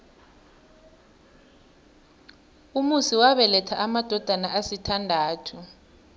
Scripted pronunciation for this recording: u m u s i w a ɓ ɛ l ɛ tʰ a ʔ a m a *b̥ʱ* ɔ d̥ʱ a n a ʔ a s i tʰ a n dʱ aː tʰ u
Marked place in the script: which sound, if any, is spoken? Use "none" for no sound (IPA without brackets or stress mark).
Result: d̥ʱ